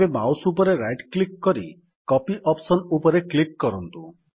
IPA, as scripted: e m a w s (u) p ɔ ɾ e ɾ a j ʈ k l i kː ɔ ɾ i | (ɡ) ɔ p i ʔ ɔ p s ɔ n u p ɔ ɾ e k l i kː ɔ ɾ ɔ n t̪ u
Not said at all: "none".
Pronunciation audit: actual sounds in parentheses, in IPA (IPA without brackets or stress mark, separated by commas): u, k